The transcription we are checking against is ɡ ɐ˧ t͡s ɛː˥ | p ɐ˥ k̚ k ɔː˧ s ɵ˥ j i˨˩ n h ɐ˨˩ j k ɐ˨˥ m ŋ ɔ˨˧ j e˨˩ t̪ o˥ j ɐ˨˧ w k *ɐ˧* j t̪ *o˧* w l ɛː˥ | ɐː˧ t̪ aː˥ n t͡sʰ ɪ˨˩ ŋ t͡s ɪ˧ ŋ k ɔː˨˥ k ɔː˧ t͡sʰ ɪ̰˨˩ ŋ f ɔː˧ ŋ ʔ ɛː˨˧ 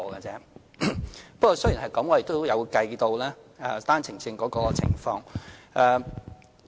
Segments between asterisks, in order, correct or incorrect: correct, correct

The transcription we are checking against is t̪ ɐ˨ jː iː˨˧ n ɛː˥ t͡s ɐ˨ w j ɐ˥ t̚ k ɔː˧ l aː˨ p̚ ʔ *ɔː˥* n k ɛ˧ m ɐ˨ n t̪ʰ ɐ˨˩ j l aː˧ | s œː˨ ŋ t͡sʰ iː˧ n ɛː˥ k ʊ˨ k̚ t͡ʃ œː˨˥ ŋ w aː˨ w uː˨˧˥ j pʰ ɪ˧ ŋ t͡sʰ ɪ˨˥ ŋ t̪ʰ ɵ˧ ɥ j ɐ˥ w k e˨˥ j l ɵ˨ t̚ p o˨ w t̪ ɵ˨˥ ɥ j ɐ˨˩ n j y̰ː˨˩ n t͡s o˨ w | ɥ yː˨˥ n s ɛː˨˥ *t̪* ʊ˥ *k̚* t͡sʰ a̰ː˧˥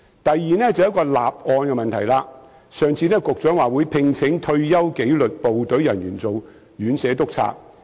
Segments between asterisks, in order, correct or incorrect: incorrect: ɔː˧, correct, correct

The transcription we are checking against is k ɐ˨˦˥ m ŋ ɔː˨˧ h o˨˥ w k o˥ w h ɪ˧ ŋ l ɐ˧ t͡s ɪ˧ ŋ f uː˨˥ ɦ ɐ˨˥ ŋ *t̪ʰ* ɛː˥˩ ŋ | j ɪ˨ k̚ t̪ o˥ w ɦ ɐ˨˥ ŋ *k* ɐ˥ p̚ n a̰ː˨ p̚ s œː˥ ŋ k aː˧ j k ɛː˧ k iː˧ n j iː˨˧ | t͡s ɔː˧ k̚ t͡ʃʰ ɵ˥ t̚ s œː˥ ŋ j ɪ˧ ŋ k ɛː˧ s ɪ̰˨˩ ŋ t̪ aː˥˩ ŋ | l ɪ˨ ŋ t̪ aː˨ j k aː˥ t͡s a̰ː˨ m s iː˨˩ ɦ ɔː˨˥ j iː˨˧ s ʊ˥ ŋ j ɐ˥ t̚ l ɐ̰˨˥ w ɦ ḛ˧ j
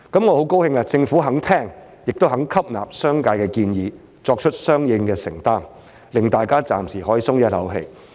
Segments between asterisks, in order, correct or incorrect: correct, incorrect: kʰ

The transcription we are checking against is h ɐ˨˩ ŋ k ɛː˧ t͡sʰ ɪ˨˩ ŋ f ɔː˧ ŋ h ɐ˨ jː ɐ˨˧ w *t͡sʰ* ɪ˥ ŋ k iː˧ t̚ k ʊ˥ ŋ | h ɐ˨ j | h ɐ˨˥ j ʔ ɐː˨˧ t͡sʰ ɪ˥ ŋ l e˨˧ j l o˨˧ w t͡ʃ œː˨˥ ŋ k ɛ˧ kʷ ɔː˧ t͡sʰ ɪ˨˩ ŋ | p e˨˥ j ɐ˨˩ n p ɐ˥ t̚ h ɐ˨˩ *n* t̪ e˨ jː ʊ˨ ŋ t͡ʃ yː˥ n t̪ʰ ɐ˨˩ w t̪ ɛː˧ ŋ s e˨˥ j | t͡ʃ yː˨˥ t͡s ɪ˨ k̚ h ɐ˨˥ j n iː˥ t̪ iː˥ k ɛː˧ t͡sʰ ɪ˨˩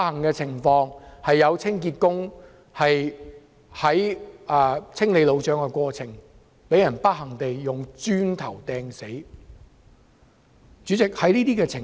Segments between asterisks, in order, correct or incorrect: correct, incorrect: ŋ

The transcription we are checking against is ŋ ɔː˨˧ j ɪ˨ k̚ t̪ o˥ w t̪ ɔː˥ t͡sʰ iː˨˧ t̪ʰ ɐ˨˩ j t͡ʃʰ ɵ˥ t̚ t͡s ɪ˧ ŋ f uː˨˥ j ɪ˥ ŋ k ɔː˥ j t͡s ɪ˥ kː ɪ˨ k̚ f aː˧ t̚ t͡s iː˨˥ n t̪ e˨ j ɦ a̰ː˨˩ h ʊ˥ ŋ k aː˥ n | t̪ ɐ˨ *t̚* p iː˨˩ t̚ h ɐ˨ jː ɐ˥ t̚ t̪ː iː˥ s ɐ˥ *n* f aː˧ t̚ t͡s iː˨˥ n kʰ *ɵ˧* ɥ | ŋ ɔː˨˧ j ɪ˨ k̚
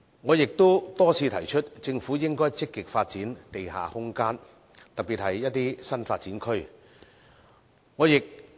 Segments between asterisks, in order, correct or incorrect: incorrect: k̚, correct, incorrect: ɵ˥

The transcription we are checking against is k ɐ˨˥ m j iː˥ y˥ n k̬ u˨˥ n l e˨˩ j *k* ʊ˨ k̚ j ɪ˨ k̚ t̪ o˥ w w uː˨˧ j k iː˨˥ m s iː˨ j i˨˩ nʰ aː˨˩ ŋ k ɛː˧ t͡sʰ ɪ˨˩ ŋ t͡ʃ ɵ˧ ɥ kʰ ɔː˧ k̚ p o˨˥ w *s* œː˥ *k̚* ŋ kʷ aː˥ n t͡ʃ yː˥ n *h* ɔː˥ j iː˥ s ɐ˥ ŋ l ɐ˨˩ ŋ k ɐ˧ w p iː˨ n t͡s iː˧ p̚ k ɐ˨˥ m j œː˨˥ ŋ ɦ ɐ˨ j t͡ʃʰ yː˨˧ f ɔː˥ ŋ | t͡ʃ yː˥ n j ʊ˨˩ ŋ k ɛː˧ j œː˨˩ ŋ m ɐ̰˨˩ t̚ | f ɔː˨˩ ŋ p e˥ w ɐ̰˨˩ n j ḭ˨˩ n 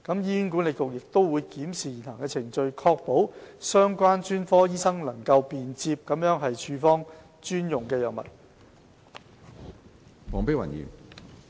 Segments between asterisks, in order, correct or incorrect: correct, correct, incorrect: none, incorrect: f

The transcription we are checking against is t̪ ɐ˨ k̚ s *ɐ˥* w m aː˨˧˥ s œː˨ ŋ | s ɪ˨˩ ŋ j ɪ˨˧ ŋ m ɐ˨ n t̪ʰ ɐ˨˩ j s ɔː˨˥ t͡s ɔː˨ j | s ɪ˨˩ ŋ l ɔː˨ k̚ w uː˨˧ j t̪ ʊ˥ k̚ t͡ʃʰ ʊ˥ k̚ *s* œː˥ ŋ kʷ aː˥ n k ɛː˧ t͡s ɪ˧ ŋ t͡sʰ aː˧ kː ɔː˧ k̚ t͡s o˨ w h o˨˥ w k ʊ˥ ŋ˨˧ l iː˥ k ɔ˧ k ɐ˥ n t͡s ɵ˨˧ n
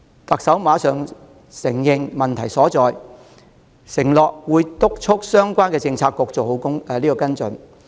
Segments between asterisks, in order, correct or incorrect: incorrect: ɐ˨˥, correct

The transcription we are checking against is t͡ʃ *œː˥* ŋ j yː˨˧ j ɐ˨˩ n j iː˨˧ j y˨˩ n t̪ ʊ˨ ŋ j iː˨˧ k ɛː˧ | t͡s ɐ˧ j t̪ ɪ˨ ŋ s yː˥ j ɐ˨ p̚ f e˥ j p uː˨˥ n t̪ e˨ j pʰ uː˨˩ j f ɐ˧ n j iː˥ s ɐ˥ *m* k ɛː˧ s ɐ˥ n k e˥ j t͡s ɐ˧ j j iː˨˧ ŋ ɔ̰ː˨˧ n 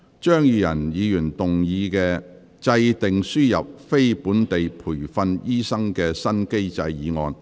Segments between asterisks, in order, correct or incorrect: correct, incorrect: ŋ

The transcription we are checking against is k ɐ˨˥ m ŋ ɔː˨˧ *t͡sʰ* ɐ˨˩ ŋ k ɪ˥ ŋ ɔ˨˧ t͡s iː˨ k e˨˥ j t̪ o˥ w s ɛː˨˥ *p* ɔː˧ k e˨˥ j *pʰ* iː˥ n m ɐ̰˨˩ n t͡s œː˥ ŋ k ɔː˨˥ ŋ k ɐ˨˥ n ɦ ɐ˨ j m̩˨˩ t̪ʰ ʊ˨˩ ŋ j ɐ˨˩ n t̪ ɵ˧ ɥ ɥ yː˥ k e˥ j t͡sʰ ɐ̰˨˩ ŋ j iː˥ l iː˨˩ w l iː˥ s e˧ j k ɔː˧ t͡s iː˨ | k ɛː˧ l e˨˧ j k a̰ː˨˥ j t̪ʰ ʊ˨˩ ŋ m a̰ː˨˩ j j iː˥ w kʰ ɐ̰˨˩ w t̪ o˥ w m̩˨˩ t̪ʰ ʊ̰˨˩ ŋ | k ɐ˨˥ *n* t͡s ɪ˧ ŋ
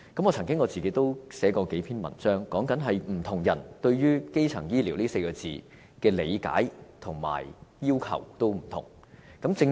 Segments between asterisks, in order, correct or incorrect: correct, incorrect: k, correct, incorrect: m

